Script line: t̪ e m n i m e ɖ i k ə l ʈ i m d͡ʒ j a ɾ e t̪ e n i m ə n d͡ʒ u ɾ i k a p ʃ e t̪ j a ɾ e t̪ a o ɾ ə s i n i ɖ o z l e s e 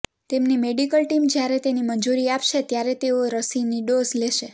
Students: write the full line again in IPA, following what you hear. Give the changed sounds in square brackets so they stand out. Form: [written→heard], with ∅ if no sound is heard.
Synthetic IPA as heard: t̪ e m n i m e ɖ i k ə l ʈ i m d͡ʒ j a ɾ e t̪ e n i m ə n d͡ʒ u ɾ i [k→∅] a p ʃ e t̪ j a ɾ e t̪ [a→e] o ɾ ə s i n i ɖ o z l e [s→ʃ] e